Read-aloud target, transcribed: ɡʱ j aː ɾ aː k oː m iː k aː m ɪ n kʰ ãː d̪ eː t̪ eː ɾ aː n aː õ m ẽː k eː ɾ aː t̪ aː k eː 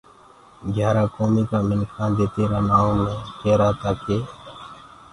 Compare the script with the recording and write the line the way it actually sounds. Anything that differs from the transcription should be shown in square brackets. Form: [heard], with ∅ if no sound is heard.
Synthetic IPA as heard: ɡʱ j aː ɾ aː k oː m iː k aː m ɪ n kʰ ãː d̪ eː t̪ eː ɾ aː n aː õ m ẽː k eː ɾ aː t̪ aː k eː

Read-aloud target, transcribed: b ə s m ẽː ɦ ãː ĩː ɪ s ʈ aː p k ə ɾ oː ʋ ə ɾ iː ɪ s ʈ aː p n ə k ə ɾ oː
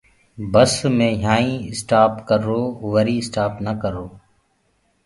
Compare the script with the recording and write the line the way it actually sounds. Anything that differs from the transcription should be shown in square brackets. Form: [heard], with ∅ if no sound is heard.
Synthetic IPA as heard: b ə s m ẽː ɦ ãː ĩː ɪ s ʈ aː p k ə ɾ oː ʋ ə ɾ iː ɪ s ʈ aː p n ə k ə ɾ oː

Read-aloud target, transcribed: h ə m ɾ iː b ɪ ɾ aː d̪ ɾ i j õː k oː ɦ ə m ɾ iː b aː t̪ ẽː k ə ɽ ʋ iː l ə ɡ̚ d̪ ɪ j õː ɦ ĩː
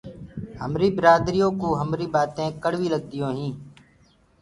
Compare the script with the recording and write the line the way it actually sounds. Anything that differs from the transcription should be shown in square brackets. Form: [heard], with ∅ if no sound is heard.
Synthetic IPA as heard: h ə m ɾ iː b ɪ ɾ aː d̪ ɾ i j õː k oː ɦ ə m ɾ iː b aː t̪ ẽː k ə ɽ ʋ iː l ə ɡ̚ d̪ ɪ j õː ɦ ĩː

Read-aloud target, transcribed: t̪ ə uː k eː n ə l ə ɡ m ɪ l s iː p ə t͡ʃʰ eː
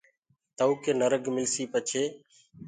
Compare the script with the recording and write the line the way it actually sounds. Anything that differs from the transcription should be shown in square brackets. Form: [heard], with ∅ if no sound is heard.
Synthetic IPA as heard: t̪ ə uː k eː n ə [ɾ] ə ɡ m ɪ l s iː p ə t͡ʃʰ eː

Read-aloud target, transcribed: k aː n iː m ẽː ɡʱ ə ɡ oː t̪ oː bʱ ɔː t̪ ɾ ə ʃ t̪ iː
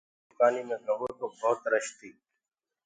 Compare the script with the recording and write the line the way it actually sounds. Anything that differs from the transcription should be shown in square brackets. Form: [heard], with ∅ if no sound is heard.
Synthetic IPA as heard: k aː n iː m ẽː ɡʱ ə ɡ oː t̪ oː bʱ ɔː t̪ ɾ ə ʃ t̪ iː

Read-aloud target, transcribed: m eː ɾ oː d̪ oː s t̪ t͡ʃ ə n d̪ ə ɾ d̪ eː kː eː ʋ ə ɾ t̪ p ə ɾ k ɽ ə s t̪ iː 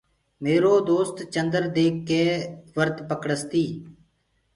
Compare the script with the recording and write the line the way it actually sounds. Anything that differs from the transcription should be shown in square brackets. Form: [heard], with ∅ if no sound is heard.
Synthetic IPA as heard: m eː ɾ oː d̪ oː s t̪ t͡ʃ ə n d̪ ə ɾ d̪ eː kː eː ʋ ə ɾ t̪ p ə [∅] k ɽ ə s t̪ iː

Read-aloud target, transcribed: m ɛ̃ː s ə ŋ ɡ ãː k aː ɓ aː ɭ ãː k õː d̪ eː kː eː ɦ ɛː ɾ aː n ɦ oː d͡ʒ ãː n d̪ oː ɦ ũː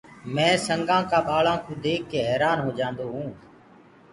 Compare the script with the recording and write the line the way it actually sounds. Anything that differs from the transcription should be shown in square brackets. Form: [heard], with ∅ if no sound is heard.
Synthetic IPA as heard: m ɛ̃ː s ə ŋ ɡ ãː k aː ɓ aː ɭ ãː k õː d̪ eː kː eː ɦ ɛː ɾ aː n ɦ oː d͡ʒ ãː n d̪ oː ɦ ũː

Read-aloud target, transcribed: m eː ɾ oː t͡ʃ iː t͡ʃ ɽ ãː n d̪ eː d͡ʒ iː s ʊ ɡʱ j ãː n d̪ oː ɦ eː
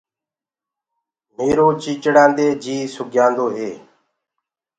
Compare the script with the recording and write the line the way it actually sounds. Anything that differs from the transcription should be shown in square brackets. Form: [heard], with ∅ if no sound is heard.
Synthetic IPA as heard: m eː ɾ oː t͡ʃ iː t͡ʃ ɽ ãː n d̪ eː d͡ʒ iː s ʊ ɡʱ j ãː n d̪ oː ɦ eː

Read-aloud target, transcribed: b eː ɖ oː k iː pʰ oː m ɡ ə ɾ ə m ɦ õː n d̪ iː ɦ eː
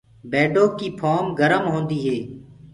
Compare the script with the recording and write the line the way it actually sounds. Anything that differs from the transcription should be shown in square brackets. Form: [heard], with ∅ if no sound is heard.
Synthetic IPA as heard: b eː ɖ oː k iː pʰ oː m ɡ ə ɾ ə m ɦ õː n d̪ iː ɦ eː

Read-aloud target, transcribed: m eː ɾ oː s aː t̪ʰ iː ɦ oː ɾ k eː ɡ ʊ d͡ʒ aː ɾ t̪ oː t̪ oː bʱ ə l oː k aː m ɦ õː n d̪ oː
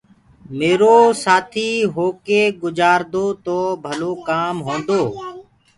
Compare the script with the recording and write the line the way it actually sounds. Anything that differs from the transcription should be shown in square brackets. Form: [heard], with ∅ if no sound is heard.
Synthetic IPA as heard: m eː ɾ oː s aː t̪ʰ iː ɦ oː [∅] k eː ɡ ʊ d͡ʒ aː ɾ [d̪] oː t̪ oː bʱ ə l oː k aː m ɦ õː n d̪ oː

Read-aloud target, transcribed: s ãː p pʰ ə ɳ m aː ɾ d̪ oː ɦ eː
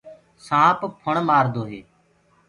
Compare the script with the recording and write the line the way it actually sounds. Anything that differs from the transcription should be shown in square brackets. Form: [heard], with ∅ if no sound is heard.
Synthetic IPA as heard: s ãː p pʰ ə ɳ m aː ɾ d̪ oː ɦ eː

